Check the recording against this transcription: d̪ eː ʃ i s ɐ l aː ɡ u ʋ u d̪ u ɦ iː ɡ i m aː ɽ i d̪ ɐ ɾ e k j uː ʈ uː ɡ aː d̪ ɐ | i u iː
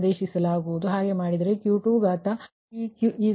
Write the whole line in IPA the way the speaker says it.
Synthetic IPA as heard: d̪ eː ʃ i s ɐ l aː ɡ u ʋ u d̪ u ɦ aː ɡ e m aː ɽ i d̪ ɐ ɾ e k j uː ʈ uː ɡ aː t̪ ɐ | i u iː

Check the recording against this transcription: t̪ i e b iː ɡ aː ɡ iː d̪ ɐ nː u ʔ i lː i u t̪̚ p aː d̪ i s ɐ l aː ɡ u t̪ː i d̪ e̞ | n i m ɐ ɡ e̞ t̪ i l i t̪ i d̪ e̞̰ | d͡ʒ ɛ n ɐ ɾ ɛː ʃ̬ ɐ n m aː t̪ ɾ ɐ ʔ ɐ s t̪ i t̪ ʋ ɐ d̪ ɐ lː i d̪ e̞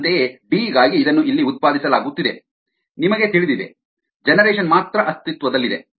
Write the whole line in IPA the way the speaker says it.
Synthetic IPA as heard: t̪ e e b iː ɡ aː ɡ iː d̪ ɐ nː u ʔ i lː i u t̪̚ p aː d̪ i s ɐ l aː ɡ u t̪ː i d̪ e̞ | n i m ɐ ɡ e̞ t̪ i ɭ i d̪ i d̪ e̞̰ | d͡ʒ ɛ n ɐ ɾ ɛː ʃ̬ ɐ n m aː t̪ ɾ ɐ ʔ ɐ s t̪ i t̪ ʋ ɐ d̪ ɐ lː i d̪ e̞

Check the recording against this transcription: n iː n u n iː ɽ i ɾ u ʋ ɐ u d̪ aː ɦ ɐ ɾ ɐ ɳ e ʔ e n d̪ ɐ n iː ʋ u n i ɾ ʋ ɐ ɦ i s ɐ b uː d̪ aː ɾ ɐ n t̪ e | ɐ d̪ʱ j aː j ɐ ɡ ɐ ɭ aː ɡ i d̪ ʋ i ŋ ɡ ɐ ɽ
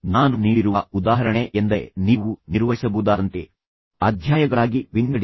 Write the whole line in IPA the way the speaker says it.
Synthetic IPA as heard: n aː n u n iː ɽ i ɾ u ʋ ɐ u d̪ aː ɦ ɐ ɾ ɐ ɳ e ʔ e n d̪ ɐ n iː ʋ u n i ɾ ʋ ɐ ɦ i s ɐ b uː d̪ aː ɾ ɐ n t̪ e | ɐ d̪ʱ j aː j ɐ ɡ ɐ ɭ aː ɡ i ʋ i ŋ ɡ ɐ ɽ

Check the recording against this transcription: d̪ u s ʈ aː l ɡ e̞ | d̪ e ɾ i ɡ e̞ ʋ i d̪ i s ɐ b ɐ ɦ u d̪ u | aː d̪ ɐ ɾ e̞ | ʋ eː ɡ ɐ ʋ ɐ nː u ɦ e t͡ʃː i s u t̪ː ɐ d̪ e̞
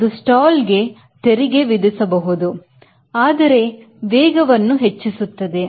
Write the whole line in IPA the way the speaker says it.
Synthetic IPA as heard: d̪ u s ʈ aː l ɡ e̞ | t̪ e ɾ i ɡ e̞ ʋ i d̪ i s ɐ b ɐ ɦ u d̪ u | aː d̪ ɐ ɾ e̞ | ʋ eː ɡ ɐ ʋ ɐ nː u ɦ e t͡ʃː i s u t̪ː ɐ d̪ e̞

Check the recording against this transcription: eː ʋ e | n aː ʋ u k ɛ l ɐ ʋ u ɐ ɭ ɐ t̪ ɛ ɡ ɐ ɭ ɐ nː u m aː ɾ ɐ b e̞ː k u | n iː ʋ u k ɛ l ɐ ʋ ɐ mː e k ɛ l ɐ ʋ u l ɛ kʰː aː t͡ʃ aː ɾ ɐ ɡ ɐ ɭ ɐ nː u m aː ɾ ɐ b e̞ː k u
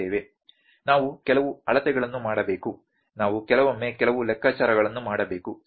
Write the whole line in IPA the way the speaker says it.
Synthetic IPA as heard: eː ʋ e | n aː ʋ u k ɛ l ɐ ʋ u ɐ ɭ ɐ t̪ ɛ ɡ ɐ ɭ ɐ nː u m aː ɽ ɐ b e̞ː k u | n aː ʋ u k ɛ l ɐ ʋ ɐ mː e k ɛ l ɐ ʋ u l ɛ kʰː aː t͡ʃ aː ɾ ɐ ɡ ɐ ɭ ɐ nː u m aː ɽ ɐ b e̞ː k u

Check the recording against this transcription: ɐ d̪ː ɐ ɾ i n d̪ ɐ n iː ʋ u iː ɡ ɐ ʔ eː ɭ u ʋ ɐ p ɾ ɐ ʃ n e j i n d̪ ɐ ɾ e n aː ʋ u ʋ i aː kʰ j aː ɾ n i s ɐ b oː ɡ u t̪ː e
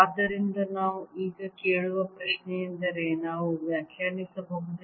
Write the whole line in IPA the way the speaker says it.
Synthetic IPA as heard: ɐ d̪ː ɐ ɾ i n d̪ ɐ n aː ʋ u iː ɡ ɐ k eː ɭ u ʋ ɐ p ɾ ɐ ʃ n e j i n d̪ ɐ ɾ e n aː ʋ u ʋ j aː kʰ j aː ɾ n i s ɐ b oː ɡ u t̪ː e

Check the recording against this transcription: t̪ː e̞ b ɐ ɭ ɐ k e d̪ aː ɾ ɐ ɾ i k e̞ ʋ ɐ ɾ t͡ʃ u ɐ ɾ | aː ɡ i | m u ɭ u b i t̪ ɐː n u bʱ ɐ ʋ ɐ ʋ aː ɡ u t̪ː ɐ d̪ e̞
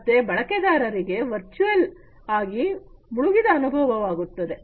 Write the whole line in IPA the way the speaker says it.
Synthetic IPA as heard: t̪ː e̞ b ɐ ɭ ɐ k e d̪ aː ɾ ɐ ɾ i ɡ e̞ ʋ ɐ ɾ t͡ʃ u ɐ l | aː ɡ i | m u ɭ u ɡ i d̪ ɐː n u bʱ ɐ ʋ ɐ ʋ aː ɡ u t̪ː ɐ d̪ e̞

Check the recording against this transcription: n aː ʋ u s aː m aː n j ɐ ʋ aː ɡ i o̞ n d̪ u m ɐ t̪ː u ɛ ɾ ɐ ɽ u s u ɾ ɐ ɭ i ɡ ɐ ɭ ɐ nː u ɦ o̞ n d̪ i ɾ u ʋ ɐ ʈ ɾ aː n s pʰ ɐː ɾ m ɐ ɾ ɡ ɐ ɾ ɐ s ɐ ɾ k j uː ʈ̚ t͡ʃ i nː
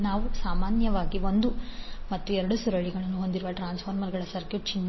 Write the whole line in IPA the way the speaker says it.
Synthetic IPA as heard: n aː ʋ u s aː m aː n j ɐ ʋ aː ɡ i o̞ n d̪ u m ɐ t̪ː u ɛ ɾ ɐ ɽ u s u ɾ ɐ ɭ i ɡ ɐ ɭ ɐ nː u ɦ o̞ n d̪ i ɾ u ʋ ɐ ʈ ɾ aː n s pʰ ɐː ɾ m ɐ ɾ ɡ ɐ ɭ ɐ s ɐ ɾ k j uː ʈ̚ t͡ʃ i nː

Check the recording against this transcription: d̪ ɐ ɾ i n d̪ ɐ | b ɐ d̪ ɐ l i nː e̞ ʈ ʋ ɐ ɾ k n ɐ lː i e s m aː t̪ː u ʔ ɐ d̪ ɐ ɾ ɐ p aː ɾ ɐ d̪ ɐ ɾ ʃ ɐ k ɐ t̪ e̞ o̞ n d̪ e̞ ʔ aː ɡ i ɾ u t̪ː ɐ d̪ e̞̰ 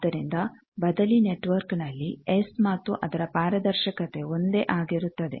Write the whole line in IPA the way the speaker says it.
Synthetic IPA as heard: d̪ ɐ ɾ i n d̪ ɐ | b ɐ d̪ ɐ l i n e̞ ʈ ʋ ɐ ɾ k n ɐ lː i e s m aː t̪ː u ʔ ɐ d̪ ɐ ɾ ɐ p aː ɾ ɐ d̪ ɐ ɾ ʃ ɐ k ɐ t̪ e̞ o̞ n d̪ e̞ ʔ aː ɡ i ɾ u t̪ː ɐ d̪ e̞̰

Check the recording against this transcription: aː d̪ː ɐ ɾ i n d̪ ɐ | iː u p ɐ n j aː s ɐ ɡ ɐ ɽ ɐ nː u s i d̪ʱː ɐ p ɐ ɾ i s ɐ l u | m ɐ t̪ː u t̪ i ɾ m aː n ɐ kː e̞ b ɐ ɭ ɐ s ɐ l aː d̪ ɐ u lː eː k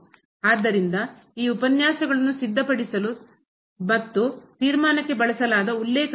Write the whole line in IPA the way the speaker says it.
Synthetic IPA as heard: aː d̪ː ɐ ɾ i n d̪ ɐ | iː u p ɐ n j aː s ɐ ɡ ɐ ɭ ɐ nː u s i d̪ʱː ɐ p ɐ ɽ i s ɐ l u | m ɐ t̪ː u t̪ iː ɾ m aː n ɐ kː e̞ b ɐ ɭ ɐ s ɐ l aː d̪ ɐ u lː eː k

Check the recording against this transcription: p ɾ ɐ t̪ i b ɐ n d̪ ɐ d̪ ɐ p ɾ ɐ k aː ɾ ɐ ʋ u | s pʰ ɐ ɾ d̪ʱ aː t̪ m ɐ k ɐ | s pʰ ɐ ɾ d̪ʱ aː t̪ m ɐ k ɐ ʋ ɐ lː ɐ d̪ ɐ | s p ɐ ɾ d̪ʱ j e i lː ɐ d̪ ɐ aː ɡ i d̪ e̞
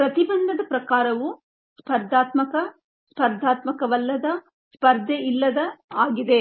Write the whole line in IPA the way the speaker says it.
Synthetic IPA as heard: p ɾ ɐ t̪ i b ɐ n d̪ ɐ d̪ ɐ p ɾ ɐ k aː ɾ ɐ ʋ u | s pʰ ɐ ɾ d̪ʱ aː t̪ m ɐ k ɐ | s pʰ ɐ ɾ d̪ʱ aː t̪ m ɐ k ɐ ʋ ɐ lː ɐ d̪ ɐ | s p ɐ ɾ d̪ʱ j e i lː ɐ d̪ ɐ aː ɡ i d̪ e̞

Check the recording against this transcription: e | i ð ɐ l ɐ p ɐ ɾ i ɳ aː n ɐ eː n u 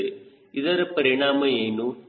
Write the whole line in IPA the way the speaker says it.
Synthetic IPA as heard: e | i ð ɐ ɾ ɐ p ɐ ɾ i ɳ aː m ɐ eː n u

